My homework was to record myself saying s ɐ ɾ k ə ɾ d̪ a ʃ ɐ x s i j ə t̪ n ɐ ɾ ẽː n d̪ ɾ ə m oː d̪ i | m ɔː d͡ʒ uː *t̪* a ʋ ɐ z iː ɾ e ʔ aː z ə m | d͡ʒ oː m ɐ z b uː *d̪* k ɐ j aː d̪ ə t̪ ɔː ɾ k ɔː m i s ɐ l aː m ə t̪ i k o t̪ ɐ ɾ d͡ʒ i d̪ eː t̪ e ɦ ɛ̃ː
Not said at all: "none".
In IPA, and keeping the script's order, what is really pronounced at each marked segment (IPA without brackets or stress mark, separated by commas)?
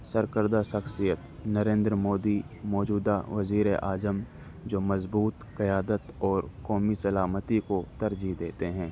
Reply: d̪, t̪